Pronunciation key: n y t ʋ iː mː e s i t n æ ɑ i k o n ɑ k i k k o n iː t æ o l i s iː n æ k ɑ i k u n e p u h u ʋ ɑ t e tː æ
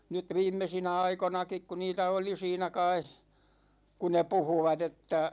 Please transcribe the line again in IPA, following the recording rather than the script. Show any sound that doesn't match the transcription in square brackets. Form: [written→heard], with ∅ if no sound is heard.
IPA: n y t ʋ iː mː e s i [t→∅] n æ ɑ i k o n ɑ k i k k [o→u] n iː t æ o l i s iː n æ k ɑ i k u n e p u h u ʋ ɑ t e tː æ